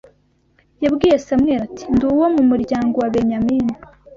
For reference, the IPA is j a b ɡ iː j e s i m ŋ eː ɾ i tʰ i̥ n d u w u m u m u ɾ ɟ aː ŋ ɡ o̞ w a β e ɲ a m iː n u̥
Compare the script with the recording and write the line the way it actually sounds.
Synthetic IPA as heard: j a b ɡ iː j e s a m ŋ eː ɾ a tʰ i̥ n d u w o m u m u ɾ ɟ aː ŋ ɡ o̞ w a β e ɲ a m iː n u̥